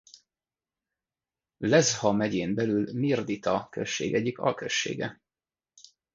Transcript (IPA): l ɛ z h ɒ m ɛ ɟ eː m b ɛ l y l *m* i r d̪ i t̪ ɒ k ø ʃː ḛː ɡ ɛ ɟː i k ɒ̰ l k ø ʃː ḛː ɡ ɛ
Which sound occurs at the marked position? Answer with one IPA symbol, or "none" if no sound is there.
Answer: m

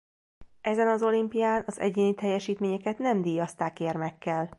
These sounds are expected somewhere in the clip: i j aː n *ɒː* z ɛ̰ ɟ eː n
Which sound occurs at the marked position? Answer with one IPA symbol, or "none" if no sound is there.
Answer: ɒ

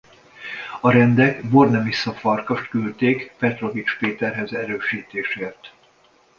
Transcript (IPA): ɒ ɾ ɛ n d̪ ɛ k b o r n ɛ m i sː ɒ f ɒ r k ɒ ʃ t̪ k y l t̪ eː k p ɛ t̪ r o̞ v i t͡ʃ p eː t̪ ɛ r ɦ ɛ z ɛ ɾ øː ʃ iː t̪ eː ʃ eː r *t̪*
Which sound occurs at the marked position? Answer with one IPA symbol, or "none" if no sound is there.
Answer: t̪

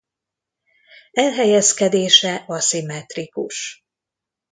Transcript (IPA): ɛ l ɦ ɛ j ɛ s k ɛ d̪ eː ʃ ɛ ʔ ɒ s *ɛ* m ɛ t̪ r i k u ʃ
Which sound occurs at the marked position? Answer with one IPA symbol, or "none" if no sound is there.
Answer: i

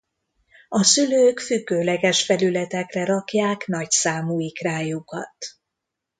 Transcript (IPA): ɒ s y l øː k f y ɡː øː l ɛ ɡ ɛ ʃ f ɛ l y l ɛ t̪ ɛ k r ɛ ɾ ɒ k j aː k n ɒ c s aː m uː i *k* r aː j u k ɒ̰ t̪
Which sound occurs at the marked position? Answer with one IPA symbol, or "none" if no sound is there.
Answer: k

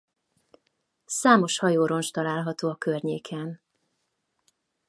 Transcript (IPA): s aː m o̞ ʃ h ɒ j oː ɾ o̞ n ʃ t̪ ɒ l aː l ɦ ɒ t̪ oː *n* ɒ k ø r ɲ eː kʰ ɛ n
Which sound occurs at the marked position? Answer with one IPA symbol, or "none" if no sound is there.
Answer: none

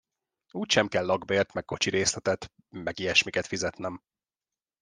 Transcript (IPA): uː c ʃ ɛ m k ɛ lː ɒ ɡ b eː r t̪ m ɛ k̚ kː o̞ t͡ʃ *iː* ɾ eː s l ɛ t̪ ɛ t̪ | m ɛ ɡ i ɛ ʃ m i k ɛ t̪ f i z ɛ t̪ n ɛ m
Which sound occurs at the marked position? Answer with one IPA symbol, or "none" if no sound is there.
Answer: i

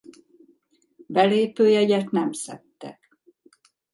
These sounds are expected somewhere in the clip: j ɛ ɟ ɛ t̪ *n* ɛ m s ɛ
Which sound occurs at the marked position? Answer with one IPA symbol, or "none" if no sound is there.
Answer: n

